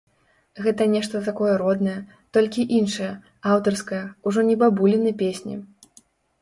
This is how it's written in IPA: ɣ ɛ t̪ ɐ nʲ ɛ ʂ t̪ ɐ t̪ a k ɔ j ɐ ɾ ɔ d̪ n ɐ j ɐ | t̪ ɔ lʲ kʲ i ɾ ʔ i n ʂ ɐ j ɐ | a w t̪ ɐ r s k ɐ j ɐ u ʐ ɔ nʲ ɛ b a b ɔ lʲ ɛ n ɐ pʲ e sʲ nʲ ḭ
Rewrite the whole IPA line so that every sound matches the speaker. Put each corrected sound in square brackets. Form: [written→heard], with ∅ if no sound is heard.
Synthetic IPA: ɣ ɛ t̪ ɐ nʲ ɛ ʂ t̪ ɐ t̪ a k ɔ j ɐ ɾ ɔ d̪ n ɐ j ɐ | t̪ ɔ lʲ kʲ i [ɾ→∅] ʔ i n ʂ ɐ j ɐ | a w t̪ ɐ r s k ɐ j ɐ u ʐ ɔ nʲ ɛ b a b [ɔ→u] lʲ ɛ n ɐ pʲ e sʲ nʲ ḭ